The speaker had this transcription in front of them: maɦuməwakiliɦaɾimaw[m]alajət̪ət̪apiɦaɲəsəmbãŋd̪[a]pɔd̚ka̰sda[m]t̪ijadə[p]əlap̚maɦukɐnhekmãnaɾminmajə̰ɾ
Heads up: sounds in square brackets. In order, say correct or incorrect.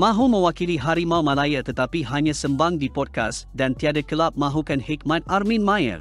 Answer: correct, incorrect, incorrect, incorrect

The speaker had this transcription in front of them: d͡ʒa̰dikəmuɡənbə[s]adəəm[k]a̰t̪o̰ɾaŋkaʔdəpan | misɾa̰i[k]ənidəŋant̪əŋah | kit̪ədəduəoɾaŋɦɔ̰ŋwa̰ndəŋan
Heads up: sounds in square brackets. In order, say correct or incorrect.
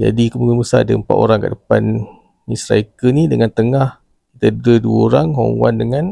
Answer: correct, incorrect, correct

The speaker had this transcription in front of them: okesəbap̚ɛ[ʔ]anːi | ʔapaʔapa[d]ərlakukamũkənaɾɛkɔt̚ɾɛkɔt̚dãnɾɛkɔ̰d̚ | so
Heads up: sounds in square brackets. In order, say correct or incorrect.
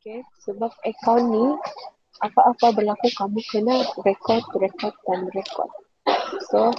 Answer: incorrect, incorrect

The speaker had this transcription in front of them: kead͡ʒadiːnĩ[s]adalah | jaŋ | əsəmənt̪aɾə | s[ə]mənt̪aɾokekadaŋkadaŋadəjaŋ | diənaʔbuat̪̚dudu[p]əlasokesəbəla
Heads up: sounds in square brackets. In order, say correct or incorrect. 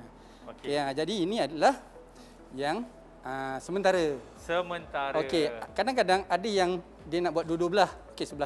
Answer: incorrect, correct, incorrect

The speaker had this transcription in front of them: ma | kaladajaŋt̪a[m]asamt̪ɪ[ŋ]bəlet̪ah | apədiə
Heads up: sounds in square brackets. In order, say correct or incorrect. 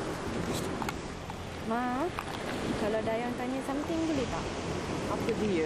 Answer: incorrect, correct

